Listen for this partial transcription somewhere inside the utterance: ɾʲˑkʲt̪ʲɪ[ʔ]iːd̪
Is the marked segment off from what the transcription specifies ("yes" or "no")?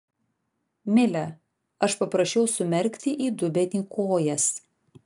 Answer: no